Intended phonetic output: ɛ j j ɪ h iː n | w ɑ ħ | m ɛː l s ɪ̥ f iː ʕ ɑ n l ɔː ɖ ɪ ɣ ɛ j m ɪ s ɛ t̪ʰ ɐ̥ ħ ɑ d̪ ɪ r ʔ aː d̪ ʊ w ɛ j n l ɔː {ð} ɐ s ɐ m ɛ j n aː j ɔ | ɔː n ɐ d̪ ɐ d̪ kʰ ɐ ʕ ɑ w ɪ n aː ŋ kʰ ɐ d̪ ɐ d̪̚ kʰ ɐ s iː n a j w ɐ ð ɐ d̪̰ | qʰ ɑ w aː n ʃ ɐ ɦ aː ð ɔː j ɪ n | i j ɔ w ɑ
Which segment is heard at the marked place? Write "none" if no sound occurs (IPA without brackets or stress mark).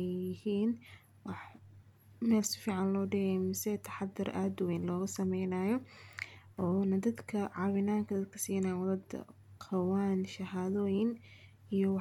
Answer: ɣ